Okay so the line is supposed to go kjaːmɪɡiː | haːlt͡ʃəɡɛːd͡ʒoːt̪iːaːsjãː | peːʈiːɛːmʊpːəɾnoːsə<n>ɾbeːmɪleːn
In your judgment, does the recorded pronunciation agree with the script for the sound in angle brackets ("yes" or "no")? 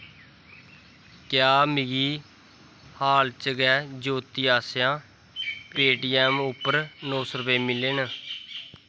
no